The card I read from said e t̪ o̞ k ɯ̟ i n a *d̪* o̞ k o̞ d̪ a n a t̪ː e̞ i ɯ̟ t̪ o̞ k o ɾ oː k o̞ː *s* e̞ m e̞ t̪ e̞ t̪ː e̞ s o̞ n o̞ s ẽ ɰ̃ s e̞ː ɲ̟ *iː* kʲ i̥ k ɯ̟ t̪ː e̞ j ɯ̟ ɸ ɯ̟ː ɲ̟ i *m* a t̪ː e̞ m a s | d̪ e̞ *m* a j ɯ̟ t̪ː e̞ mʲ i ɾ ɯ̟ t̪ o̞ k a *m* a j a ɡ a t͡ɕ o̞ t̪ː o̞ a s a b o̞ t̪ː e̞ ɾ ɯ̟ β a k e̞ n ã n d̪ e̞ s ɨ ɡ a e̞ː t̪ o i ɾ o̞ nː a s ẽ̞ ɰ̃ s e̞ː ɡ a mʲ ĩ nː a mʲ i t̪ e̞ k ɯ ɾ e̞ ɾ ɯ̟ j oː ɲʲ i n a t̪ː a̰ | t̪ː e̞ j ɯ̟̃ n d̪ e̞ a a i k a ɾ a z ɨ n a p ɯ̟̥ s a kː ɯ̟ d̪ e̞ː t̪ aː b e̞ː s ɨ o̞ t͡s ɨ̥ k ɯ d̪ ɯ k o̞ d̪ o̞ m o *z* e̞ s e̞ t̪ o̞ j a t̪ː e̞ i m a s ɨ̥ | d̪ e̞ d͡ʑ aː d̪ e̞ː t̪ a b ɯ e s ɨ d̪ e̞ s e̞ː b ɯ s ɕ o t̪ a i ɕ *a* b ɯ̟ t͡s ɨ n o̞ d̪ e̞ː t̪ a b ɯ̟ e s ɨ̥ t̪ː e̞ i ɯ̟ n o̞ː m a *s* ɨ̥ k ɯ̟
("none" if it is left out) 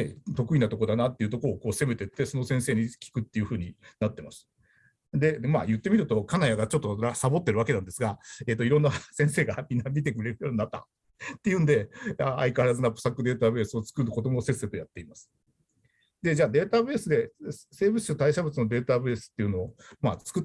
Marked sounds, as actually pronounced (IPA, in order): t̪, s, i, n, m, n, s, a, t͡s

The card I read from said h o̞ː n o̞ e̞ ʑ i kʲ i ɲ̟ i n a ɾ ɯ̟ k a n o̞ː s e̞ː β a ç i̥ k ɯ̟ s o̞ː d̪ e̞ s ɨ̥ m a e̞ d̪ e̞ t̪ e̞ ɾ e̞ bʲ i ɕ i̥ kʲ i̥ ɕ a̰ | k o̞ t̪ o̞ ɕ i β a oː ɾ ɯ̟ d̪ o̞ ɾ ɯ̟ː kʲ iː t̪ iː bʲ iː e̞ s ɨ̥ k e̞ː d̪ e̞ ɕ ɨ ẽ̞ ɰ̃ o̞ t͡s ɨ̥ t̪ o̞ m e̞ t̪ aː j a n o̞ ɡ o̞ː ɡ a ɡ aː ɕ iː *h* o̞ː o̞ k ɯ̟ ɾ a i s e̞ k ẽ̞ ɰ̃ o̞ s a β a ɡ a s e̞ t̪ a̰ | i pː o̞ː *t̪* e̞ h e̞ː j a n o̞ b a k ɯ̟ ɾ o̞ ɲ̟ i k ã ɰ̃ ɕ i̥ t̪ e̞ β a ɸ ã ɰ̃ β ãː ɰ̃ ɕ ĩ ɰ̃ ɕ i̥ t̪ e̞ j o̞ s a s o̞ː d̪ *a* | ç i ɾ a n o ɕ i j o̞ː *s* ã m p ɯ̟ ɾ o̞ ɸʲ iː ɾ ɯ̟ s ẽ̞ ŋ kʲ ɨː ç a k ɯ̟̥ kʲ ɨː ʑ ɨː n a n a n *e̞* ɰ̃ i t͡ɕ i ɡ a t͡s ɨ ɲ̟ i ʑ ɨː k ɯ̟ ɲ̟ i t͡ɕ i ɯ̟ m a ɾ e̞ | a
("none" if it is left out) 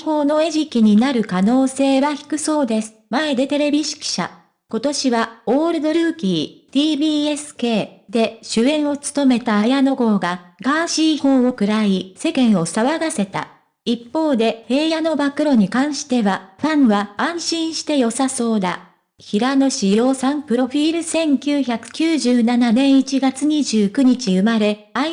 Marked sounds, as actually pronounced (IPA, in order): h, d̪, a, s, ẽ̞

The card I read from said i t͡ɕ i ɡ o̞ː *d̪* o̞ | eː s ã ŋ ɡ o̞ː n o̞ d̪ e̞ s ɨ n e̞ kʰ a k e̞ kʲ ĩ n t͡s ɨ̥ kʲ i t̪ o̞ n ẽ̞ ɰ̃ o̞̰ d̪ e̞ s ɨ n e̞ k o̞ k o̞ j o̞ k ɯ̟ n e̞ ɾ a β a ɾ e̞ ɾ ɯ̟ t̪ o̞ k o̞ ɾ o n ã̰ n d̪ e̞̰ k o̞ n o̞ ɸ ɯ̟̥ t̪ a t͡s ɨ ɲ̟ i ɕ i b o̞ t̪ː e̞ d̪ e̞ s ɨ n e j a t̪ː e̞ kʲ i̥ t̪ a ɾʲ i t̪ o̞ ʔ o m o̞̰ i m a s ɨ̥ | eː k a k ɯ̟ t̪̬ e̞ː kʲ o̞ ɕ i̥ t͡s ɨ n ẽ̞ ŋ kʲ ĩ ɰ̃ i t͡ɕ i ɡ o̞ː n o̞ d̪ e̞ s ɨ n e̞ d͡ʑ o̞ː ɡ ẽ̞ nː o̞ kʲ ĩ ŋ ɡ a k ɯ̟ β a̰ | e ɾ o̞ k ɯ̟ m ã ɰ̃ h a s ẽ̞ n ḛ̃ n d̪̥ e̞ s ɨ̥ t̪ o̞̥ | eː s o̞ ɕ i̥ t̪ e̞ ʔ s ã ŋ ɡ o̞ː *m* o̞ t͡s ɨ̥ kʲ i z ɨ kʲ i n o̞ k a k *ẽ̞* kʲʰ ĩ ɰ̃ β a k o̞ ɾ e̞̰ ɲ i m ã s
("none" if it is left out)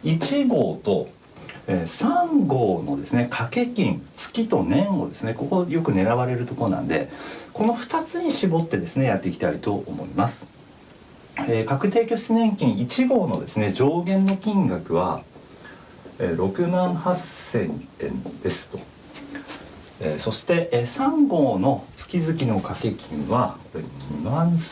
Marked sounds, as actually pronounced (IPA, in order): t̪, n, e̞

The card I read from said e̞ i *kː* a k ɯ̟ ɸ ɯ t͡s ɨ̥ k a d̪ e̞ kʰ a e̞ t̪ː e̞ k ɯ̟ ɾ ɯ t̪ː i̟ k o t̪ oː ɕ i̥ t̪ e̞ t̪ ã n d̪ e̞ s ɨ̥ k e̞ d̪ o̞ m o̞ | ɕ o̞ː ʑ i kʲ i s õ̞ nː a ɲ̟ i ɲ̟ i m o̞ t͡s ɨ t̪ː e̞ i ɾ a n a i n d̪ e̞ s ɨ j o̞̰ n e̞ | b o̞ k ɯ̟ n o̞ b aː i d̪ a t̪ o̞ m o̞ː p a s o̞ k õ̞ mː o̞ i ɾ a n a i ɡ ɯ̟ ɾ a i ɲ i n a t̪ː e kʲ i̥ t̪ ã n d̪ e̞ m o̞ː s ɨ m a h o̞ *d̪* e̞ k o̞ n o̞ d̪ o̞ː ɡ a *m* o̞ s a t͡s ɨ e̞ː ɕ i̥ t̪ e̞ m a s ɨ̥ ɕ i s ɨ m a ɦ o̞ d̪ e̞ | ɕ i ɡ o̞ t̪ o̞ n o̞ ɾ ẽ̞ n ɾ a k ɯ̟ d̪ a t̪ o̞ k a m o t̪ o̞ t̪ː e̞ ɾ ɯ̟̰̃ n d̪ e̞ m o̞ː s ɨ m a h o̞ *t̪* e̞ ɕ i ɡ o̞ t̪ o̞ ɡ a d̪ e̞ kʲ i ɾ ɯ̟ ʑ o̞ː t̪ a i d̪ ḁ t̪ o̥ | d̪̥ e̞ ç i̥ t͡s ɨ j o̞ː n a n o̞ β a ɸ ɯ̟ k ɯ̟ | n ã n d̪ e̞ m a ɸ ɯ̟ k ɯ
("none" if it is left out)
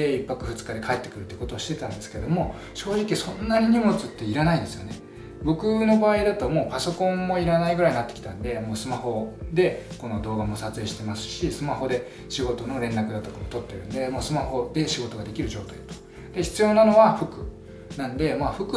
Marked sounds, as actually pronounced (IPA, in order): pː, d̪, m, d̪

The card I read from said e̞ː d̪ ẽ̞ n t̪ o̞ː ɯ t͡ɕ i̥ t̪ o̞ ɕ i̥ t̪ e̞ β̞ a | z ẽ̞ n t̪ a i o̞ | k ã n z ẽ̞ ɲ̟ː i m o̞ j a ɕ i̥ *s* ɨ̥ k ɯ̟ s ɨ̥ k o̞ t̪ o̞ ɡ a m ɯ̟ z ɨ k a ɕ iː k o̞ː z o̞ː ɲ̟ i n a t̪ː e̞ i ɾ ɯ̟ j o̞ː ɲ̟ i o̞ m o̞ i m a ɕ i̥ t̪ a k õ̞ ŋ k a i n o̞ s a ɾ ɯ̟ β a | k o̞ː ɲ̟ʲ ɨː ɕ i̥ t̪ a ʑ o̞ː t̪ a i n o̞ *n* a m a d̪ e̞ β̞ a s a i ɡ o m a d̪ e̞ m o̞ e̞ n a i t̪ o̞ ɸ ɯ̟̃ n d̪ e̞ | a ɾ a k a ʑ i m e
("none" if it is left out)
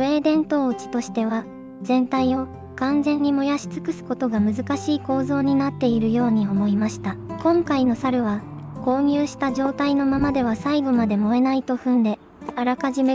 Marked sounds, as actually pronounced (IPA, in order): t͡s, m

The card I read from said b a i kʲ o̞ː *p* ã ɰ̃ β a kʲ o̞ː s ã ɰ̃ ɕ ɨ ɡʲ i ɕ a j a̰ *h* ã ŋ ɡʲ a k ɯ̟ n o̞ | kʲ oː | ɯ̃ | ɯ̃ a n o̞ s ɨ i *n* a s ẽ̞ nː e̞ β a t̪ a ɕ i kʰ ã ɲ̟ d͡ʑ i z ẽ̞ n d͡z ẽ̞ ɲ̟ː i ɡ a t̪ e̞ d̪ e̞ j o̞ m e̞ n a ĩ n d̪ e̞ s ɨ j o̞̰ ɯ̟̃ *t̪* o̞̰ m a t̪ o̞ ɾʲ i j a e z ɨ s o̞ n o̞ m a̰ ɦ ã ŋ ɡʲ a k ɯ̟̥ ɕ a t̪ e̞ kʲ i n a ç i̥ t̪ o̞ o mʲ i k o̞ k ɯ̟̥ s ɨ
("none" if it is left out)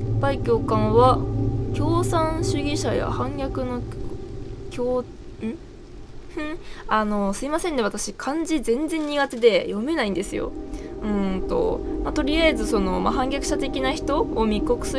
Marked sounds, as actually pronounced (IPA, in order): k, h, m, t̪

